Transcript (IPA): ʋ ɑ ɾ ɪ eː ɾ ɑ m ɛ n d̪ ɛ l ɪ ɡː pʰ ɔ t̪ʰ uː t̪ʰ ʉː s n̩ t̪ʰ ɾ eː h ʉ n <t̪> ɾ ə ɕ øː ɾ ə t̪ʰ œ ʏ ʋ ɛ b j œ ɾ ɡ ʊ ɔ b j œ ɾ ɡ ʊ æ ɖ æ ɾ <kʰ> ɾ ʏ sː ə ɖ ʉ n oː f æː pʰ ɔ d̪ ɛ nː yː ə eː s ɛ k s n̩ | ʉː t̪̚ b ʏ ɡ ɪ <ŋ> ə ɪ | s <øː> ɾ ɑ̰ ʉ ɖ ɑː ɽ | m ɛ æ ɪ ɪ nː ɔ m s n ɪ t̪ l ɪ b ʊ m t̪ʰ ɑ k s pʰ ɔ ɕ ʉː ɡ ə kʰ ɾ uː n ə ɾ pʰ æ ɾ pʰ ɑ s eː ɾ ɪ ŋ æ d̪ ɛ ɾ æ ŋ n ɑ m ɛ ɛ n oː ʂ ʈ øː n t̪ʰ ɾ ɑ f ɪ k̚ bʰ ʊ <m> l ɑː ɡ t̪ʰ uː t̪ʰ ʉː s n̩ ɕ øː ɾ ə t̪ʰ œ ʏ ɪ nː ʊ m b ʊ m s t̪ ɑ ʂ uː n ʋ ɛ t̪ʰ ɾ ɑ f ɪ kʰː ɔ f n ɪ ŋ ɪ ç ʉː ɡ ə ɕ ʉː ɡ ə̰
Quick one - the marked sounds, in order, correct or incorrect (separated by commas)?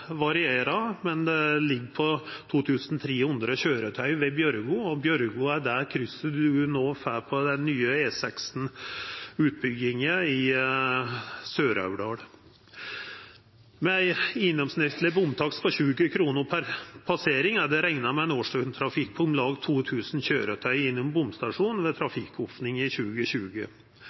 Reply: incorrect, correct, correct, correct, correct